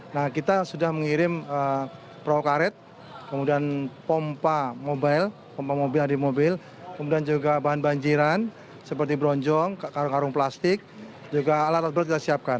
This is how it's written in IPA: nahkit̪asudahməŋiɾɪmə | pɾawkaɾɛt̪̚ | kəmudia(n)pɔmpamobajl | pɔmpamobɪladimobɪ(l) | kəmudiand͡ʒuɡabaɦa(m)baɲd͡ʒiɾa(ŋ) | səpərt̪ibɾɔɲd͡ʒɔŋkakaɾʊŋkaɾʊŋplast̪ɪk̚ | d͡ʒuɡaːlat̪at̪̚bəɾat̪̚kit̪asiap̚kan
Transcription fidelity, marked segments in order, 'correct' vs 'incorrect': correct, correct, incorrect: n, incorrect: n

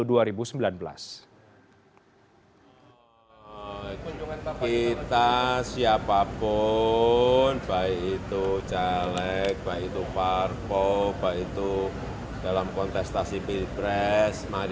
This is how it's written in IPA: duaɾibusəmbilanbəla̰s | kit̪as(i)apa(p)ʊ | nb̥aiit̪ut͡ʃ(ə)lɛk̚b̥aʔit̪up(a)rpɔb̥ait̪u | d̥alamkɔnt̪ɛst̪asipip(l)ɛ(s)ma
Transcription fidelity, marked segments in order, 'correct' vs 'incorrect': correct, correct, incorrect: a, correct, incorrect: ɾ, correct

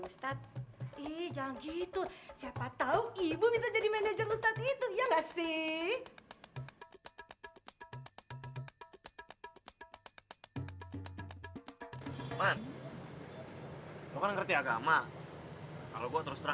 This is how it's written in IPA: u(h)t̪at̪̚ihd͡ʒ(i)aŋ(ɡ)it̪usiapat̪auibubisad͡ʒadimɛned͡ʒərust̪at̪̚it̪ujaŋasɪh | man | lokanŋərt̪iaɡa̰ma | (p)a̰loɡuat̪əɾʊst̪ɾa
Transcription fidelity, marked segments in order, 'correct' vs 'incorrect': incorrect: s, incorrect: a, correct, incorrect: k

